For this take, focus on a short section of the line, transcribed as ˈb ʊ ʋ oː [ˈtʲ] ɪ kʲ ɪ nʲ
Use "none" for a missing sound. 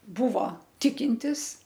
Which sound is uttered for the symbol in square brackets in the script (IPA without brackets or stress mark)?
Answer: tʲ